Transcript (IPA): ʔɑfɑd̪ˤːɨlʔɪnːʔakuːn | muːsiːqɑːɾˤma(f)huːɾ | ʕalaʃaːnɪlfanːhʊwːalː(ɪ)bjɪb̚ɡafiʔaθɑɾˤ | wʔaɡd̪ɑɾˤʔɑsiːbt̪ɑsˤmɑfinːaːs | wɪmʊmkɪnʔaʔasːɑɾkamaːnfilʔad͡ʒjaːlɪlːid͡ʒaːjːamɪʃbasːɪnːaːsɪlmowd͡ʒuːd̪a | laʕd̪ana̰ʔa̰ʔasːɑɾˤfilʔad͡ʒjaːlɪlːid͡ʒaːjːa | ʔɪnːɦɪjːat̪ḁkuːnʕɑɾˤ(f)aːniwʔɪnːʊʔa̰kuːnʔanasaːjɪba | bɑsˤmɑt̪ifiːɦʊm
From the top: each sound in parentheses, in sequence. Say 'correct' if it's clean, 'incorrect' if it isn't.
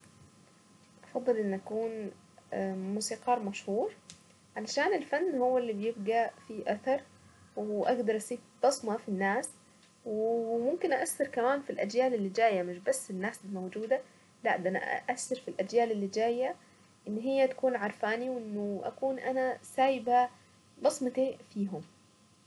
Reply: incorrect, incorrect, correct

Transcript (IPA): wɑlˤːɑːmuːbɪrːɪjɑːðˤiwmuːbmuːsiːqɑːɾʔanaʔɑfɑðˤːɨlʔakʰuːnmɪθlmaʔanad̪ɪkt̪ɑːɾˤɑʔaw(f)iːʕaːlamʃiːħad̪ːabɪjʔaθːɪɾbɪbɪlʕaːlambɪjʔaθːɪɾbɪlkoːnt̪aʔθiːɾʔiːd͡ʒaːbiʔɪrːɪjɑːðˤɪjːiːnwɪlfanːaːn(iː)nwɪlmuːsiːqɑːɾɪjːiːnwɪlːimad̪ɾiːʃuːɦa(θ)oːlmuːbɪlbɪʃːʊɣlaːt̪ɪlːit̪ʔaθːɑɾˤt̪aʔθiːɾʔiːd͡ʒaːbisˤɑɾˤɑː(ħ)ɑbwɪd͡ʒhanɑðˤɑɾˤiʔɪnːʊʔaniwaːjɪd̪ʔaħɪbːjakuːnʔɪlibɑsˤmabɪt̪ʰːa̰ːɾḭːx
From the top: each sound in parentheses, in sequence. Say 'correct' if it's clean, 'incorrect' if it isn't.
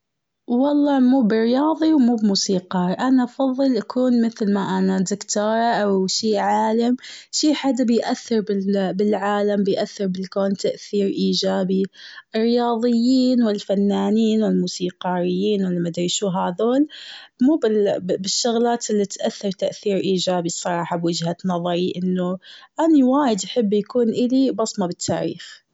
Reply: incorrect, correct, incorrect, correct

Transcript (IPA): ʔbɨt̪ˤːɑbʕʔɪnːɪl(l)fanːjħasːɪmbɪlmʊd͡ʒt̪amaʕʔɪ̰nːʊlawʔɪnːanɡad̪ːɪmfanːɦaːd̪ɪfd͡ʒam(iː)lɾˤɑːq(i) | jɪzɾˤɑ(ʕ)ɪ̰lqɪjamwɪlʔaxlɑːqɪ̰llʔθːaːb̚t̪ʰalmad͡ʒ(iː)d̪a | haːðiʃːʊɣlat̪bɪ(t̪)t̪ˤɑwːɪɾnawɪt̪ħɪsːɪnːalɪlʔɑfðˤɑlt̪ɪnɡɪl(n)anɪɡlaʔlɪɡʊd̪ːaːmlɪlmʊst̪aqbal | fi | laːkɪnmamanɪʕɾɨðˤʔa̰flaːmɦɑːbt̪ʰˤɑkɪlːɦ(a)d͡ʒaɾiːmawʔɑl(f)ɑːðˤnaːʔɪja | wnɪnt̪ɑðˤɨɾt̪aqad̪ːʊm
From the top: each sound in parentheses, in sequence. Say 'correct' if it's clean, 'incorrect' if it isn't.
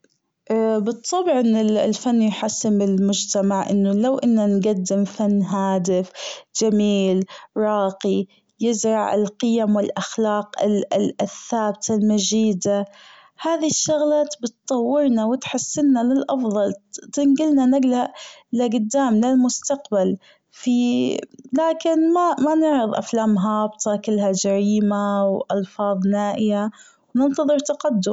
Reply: correct, correct, correct, correct, correct, correct, correct, correct, correct

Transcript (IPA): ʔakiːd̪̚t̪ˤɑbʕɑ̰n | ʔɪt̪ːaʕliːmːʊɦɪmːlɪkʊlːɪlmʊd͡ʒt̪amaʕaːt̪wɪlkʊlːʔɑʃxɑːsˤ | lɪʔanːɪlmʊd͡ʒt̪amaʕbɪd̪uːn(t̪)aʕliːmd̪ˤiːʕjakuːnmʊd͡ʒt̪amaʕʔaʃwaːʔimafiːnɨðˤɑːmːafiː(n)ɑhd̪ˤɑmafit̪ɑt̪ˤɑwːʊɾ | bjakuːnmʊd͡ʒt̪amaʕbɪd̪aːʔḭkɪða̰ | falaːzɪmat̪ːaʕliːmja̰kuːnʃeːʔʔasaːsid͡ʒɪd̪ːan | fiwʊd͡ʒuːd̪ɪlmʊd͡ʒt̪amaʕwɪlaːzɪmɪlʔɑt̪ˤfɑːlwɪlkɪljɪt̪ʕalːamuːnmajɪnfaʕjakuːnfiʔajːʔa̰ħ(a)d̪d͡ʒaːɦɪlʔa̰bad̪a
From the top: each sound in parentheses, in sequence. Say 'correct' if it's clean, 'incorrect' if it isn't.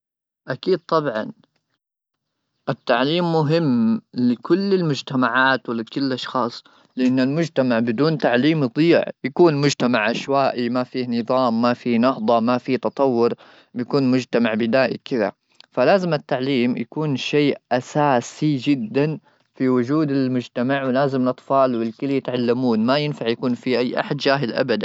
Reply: correct, correct, correct

